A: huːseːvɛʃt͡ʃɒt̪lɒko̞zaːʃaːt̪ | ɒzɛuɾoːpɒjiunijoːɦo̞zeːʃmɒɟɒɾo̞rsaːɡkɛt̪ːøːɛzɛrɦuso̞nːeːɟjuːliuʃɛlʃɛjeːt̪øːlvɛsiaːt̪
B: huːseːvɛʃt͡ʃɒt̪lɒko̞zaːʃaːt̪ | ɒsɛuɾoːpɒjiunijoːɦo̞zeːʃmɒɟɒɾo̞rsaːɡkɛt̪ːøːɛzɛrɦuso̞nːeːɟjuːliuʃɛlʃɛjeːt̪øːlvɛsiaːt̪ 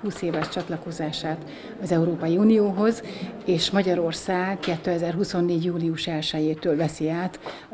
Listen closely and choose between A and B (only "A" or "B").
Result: A